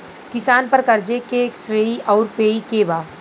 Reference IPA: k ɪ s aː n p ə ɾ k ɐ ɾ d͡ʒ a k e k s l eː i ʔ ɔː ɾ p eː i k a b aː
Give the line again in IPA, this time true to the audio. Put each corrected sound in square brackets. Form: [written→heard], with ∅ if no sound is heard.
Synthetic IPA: k ɪ s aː n p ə ɾ k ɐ ɾ d͡ʒ [a→e] k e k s [l→ɾ] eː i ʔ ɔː ɾ p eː i k [a→e] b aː